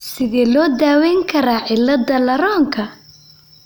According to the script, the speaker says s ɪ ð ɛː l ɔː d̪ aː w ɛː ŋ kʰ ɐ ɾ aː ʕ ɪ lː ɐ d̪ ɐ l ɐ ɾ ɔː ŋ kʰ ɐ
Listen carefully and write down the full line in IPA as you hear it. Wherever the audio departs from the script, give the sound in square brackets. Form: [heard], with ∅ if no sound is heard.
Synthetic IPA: s ɪ ð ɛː l ɔː d̪ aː w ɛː ŋ kʰ ɐ ɾ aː ʕ ɪ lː ɐ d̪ ɐ l ɐ ɾ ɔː ŋ kʰ ɐ